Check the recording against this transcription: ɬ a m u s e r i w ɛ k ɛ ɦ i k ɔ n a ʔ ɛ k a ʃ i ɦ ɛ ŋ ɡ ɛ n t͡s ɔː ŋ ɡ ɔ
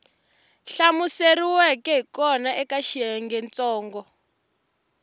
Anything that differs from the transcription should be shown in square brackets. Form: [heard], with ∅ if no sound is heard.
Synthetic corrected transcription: ɬ a m u s e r i w ɛ k ɛ ɦ i k ɔ n a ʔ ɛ k a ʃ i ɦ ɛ ŋ ɡ ɛ n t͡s ɔː ŋ ɡ ɔ